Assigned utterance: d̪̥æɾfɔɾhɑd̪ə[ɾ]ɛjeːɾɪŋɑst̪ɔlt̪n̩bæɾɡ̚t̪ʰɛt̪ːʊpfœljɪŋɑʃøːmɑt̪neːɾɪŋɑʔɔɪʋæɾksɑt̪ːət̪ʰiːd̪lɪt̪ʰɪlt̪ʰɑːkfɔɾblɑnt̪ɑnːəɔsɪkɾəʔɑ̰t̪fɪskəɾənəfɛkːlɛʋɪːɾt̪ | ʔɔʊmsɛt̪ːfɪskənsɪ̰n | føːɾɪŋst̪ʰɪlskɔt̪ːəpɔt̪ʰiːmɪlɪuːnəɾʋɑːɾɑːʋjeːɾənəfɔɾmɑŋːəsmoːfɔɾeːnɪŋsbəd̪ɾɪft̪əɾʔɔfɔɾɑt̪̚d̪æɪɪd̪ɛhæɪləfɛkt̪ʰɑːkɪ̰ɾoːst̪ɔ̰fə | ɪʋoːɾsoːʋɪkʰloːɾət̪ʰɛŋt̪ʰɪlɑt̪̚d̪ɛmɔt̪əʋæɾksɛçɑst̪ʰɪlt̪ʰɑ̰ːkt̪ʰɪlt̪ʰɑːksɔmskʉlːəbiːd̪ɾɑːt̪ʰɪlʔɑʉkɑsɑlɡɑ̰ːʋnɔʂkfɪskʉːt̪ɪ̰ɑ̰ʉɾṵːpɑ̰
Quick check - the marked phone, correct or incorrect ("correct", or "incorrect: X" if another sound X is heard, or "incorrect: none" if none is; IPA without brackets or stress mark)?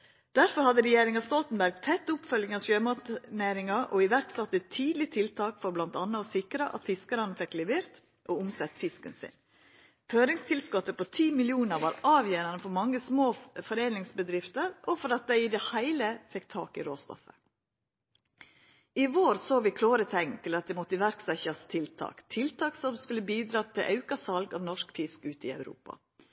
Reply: correct